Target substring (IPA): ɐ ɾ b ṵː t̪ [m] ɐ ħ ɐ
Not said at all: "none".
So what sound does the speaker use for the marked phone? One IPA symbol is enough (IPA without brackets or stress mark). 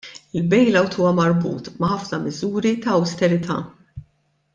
m